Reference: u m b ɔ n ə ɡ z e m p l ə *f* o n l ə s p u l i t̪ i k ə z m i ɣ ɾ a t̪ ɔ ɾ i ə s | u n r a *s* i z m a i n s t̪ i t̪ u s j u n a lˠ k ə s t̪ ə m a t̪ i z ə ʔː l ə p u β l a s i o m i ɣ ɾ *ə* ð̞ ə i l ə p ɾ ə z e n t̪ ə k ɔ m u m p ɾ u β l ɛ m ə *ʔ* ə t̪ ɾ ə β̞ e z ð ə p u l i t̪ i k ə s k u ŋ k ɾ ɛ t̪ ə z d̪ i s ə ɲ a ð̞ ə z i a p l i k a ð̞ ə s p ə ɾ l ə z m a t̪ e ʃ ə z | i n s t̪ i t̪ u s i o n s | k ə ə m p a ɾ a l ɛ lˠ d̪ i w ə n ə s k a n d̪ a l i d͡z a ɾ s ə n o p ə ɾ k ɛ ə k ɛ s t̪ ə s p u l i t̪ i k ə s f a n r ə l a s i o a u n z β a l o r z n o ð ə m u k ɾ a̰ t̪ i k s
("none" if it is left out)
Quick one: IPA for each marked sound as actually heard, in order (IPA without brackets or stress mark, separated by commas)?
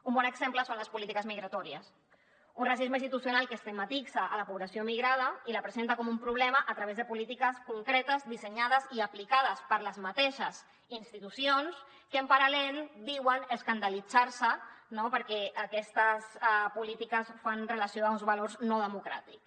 s, s, a, ʔ